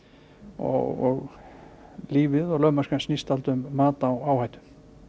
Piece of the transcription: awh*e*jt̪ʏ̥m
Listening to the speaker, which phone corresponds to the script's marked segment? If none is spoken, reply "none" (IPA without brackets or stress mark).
a